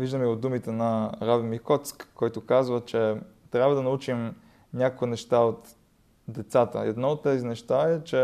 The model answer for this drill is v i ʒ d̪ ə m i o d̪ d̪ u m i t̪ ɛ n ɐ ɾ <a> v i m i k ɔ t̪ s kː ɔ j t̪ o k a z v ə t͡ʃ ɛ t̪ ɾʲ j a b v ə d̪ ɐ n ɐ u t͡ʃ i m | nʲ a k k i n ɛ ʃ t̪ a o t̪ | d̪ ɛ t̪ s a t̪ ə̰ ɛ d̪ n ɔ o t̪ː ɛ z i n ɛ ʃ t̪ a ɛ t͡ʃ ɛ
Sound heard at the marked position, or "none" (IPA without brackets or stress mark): a